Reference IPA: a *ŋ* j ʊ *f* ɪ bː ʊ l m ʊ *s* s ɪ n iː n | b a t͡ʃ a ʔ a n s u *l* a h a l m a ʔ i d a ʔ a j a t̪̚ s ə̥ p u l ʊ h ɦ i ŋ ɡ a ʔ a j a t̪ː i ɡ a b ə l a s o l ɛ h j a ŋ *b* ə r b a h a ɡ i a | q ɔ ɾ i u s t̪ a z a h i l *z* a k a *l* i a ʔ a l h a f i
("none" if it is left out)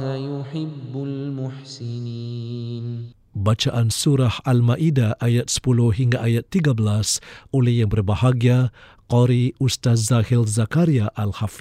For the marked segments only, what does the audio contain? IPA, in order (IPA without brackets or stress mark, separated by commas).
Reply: none, ħ, ħ, ɾ, b, z, ɾ